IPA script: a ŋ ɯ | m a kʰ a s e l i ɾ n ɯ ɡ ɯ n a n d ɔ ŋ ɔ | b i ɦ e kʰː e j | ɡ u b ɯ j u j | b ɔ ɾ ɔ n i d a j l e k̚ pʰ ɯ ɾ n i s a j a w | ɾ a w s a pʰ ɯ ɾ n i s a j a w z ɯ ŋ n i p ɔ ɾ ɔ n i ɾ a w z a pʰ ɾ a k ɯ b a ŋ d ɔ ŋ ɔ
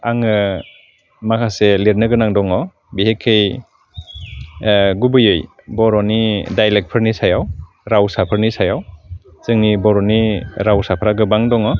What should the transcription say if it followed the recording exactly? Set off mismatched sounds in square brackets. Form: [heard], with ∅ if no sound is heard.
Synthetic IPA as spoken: a ŋ ɯ | m a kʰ a s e l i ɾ n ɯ ɡ ɯ n a [ŋ] d ɔ ŋ ɔ | b i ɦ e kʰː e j | ɡ u b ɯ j [ɯ] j | b ɔ ɾ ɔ n i d a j l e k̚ pʰ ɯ ɾ n i s a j a w | ɾ a w s a pʰ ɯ ɾ n i s a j a w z ɯ ŋ n i [b] ɔ ɾ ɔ n i ɾ a w [s] a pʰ ɾ a [ɡ] ɯ b a ŋ d ɔ ŋ ɔ

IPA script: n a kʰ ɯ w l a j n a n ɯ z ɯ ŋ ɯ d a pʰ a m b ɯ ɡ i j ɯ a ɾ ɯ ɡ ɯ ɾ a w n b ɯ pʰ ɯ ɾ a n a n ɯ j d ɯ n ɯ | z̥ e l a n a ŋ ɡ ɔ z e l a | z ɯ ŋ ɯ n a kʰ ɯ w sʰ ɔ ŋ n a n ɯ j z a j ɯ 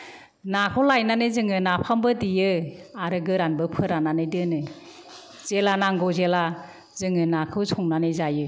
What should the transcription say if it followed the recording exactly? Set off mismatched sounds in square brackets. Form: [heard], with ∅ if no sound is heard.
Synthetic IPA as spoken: n a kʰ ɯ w l a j n a n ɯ z ɯ ŋ ɯ [n] a pʰ a m b ɯ [d] i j ɯ a ɾ ɯ ɡ ɯ ɾ a [∅] n b ɯ pʰ ɯ ɾ a n a n ɯ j d ɯ n ɯ | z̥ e l a n a ŋ ɡ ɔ z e l a | z ɯ ŋ ɯ n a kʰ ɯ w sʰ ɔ ŋ n a n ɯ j z a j ɯ

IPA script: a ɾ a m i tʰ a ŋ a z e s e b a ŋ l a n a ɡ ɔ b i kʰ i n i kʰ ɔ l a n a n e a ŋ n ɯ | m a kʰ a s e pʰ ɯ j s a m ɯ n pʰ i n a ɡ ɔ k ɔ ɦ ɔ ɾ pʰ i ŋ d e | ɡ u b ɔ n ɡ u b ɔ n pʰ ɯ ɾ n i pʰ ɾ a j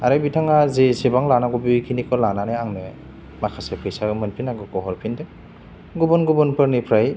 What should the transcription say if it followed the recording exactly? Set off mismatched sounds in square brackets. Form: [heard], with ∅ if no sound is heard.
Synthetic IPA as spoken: a ɾ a [b] i tʰ a ŋ a z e s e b a ŋ l a n a ɡ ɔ b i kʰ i n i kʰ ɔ l a n a n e a ŋ n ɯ | m a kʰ a s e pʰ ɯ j s a m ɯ n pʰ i n a ɡ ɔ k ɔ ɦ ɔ ɾ pʰ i [n] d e | ɡ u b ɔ n ɡ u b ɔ n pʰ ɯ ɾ n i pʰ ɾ a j

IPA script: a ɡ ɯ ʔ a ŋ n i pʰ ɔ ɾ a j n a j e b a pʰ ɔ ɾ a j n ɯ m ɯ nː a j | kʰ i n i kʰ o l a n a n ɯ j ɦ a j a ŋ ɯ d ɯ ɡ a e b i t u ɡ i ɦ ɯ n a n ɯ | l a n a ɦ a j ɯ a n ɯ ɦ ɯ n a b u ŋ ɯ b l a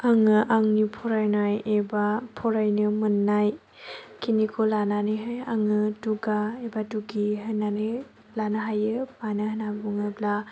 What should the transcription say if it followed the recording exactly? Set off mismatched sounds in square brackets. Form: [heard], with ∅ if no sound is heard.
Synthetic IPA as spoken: a [ŋ] ɯ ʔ a ŋ n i pʰ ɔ ɾ a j n a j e b a pʰ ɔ ɾ a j n ɯ m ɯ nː a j | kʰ i n i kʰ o l a n a n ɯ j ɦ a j a ŋ ɯ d [u] ɡ a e b [a] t u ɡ i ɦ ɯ n a n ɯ | l a n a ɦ a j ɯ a n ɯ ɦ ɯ n a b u ŋ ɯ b l a

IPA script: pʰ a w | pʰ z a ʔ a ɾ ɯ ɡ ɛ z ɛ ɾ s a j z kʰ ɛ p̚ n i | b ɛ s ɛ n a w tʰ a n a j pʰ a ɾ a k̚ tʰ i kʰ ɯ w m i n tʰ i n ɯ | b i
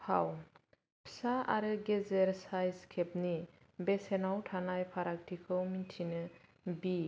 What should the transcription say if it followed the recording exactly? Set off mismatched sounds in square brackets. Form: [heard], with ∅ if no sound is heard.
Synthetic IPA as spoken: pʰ a w | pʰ [s] a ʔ a ɾ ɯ ɡ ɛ z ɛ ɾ s a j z kʰ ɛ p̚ n i | b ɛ s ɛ n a w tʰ a n a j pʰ a ɾ a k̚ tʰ i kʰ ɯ w m i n tʰ i n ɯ | b i

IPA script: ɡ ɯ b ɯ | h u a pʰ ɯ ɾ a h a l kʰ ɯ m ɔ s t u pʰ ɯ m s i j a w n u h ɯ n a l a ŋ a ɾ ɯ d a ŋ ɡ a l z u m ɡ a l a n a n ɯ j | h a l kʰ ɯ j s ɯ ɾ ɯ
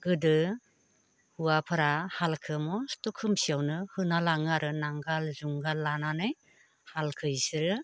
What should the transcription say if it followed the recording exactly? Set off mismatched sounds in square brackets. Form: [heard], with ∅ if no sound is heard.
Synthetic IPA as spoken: ɡ ɯ [d] ɯ | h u a pʰ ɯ ɾ a h a l kʰ ɯ m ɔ s t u [kʰ] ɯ m s i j a w n [ɯ] h ɯ n a l a ŋ a ɾ ɯ [n] a ŋ ɡ a l z u [ŋ] ɡ a l a n a n ɯ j | h a l kʰ ɯ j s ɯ ɾ ɯ

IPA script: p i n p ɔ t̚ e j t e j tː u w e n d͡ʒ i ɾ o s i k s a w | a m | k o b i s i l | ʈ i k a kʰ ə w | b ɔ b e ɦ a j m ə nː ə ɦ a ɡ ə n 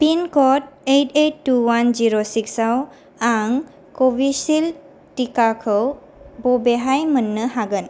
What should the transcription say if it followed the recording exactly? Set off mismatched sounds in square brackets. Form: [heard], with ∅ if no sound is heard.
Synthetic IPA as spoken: p i n [k] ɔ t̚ e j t e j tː u w [a] n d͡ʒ i ɾ o s i k s a w | a [ŋ] | k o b i s i l | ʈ i k a kʰ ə w | b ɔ b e ɦ a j m ə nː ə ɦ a ɡ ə n

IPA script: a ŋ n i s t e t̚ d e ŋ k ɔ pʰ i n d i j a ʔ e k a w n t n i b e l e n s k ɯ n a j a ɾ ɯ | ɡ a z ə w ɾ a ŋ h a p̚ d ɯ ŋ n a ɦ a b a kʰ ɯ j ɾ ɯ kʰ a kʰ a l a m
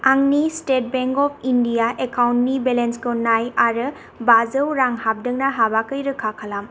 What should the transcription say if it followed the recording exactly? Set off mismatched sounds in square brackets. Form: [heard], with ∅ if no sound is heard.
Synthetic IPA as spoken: a ŋ n i s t e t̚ [b] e ŋ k ɔ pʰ i n d i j a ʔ e k a w n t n i b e l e n s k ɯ n a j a ɾ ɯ | [b] a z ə w ɾ a ŋ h a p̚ d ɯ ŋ n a ɦ a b a [k] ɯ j ɾ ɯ kʰ a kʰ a l a m

